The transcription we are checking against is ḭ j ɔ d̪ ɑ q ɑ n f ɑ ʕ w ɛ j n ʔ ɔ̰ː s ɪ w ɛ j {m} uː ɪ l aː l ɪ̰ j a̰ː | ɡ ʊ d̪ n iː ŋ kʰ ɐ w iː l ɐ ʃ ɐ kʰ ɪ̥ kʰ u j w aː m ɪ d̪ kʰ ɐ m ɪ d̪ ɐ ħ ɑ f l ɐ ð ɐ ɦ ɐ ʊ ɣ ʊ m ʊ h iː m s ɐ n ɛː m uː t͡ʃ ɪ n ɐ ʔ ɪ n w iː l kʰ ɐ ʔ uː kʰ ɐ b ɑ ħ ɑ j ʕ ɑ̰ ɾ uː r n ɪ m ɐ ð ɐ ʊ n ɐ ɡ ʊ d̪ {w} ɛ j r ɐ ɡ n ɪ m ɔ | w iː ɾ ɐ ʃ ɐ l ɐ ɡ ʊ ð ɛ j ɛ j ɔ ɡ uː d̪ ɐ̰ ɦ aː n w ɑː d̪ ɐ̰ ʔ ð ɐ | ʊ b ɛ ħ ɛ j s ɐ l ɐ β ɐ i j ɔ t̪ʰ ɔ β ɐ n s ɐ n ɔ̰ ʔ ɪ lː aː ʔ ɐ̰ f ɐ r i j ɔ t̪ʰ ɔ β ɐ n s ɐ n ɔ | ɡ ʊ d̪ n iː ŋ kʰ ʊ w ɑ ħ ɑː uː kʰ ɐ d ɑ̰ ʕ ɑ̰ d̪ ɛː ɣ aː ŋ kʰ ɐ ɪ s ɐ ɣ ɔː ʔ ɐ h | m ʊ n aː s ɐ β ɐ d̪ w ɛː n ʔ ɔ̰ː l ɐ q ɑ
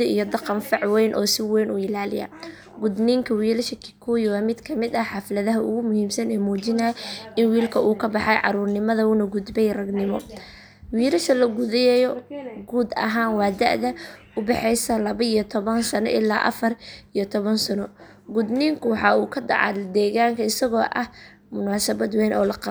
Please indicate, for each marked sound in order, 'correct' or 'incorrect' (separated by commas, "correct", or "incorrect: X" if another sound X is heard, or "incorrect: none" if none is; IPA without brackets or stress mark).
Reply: incorrect: n, incorrect: b